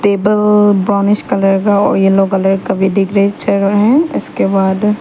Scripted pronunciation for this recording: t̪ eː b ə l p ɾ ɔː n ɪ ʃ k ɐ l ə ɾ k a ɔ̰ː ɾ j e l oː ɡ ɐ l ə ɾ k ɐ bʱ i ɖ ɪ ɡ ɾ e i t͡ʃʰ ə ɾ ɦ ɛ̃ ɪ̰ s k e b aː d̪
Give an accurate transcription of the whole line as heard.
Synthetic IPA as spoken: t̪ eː b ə l b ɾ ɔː n ɪ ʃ k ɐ l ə ɾ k a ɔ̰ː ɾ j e l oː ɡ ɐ l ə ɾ k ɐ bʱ i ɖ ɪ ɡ ɾ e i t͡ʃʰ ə ɾ ɦ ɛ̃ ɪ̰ s k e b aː d̪